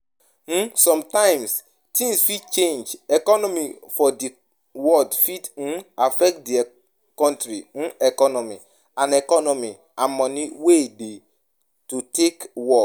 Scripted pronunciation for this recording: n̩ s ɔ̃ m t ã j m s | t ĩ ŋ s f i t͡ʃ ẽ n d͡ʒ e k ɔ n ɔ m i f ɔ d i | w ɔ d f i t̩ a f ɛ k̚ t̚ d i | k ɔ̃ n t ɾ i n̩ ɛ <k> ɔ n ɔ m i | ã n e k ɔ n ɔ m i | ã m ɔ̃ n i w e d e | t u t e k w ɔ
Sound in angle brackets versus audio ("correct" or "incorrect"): correct